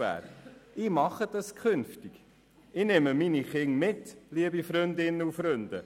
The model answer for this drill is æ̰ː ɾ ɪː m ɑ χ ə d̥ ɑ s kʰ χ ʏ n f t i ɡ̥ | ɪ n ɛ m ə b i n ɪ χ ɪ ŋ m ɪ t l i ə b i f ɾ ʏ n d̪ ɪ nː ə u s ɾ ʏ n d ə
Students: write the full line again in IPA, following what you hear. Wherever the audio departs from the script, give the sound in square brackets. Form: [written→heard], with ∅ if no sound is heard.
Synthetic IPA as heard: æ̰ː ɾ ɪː m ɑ χ ə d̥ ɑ s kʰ χ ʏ n f t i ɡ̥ | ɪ n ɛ m ə [b→m] i n [ɪ→i] χ ɪ ŋ m ɪ t l i ə b i f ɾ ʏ n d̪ ɪ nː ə u [s→f] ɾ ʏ n d ə